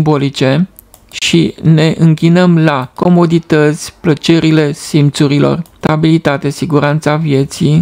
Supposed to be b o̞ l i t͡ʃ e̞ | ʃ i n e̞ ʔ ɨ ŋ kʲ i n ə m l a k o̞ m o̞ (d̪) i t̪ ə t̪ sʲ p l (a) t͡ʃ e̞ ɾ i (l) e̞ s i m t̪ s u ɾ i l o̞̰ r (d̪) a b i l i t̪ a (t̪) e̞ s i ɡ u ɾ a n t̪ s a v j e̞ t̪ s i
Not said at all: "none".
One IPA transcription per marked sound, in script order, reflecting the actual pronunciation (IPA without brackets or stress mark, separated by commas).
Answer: d̪, ə, l, t̪, t̪